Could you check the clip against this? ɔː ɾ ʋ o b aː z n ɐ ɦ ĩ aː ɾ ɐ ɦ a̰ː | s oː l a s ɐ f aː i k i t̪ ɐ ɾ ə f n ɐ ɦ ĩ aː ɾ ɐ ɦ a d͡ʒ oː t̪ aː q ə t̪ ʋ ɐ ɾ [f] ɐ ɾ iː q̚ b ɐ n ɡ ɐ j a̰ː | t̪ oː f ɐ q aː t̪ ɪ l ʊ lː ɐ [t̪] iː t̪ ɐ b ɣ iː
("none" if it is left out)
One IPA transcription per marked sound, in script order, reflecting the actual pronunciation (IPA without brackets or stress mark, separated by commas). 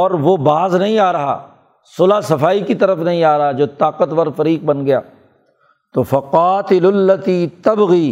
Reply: f, t̪